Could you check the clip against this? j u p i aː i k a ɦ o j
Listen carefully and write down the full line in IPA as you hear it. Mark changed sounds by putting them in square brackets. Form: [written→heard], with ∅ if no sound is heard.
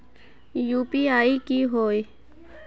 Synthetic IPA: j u p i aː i k [a→i] ɦ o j